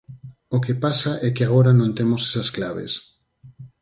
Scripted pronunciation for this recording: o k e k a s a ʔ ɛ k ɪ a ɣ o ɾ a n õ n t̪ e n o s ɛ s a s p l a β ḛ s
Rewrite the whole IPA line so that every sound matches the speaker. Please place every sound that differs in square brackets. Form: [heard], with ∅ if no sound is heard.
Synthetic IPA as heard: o k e [p] a s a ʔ ɛ k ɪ a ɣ o ɾ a n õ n t̪ e [m] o s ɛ s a s [k] l a β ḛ s